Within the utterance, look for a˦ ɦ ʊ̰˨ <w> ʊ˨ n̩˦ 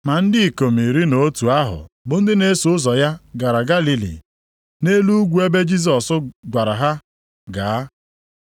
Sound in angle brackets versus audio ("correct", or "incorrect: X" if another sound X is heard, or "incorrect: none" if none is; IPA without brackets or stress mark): incorrect: b